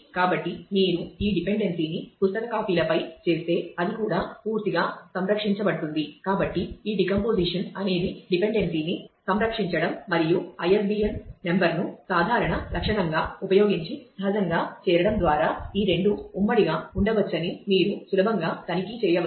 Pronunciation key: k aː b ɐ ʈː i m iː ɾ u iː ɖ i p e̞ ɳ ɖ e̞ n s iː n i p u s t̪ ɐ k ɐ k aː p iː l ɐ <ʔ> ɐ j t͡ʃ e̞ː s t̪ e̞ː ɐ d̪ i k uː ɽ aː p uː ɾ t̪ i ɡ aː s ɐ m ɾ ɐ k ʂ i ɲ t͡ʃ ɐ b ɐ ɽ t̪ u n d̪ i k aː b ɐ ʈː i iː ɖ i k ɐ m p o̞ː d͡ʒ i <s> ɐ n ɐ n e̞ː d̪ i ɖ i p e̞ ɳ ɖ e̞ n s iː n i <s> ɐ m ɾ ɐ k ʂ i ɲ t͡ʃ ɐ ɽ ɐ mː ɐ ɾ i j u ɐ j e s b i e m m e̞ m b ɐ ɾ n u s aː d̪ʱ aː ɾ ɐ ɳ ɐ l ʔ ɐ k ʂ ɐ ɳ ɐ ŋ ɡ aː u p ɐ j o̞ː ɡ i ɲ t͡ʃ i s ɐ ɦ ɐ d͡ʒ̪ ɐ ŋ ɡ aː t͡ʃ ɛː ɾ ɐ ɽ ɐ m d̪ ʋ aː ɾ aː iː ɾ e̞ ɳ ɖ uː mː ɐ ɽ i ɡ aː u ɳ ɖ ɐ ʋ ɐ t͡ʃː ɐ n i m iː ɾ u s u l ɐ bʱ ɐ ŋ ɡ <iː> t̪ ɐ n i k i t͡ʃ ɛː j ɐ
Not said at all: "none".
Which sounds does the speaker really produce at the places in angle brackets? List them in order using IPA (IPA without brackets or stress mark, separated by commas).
p, ʂ, s, aː